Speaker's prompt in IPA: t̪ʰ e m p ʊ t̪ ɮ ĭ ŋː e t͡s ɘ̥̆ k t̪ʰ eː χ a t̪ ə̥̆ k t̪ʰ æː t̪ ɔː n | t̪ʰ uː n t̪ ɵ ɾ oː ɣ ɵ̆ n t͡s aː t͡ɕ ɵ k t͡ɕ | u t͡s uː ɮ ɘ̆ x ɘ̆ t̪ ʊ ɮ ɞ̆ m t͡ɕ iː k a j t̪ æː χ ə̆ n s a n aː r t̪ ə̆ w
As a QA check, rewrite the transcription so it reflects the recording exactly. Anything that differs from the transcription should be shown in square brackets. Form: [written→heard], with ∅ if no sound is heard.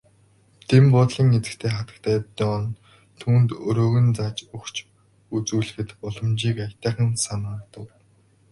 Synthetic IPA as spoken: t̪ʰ e m p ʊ t̪ ɮ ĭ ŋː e t͡s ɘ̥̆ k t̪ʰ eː χ a t̪ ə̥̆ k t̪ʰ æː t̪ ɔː n | t̪ʰ uː n t̪ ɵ ɾ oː ɣ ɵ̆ n t͡s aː t͡ɕ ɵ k t͡ɕ | u t͡s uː ɮ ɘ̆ x ɘ̆ t̪ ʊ ɮ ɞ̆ m t͡ɕ iː k a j t̪ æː χ ə̆ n s a n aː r t̪ ə̆ w